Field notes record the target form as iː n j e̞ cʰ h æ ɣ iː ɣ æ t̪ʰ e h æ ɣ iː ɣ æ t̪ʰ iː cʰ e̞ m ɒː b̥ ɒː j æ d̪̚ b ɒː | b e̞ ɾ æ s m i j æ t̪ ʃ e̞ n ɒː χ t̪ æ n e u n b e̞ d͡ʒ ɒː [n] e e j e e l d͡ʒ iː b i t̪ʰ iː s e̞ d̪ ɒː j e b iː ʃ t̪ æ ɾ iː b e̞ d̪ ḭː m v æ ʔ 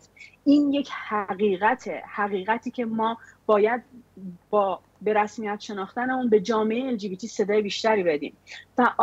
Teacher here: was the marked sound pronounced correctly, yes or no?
no